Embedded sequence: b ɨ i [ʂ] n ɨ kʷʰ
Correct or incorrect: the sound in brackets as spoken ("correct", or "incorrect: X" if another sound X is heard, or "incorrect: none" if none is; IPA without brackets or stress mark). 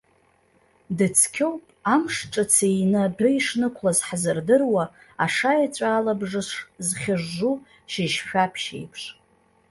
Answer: correct